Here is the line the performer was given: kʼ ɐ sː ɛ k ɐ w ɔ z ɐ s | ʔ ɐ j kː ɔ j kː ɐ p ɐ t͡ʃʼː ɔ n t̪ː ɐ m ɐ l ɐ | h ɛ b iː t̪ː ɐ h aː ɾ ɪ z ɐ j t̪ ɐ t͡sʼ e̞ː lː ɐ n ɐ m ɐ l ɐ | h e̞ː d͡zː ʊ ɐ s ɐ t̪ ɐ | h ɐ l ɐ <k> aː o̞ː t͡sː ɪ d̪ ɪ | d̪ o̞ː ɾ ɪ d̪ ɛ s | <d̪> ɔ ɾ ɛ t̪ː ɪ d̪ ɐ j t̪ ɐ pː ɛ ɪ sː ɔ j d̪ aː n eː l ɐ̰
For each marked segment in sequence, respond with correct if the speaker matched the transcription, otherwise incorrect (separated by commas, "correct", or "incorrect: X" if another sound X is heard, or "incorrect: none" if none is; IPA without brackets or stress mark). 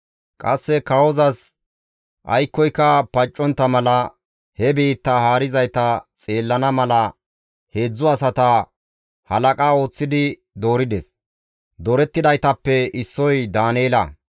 incorrect: kʼ, correct